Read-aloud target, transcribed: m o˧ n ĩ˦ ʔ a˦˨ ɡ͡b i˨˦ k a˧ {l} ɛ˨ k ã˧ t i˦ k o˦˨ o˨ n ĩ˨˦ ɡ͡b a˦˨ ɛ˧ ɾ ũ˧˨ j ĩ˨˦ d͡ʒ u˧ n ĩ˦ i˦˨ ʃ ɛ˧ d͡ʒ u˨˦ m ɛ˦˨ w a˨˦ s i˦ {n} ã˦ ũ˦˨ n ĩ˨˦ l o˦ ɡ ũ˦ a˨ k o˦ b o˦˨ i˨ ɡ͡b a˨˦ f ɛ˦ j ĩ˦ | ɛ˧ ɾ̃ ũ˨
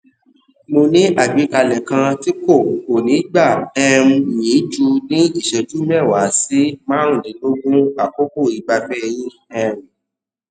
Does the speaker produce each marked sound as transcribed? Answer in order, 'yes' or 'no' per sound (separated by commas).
yes, no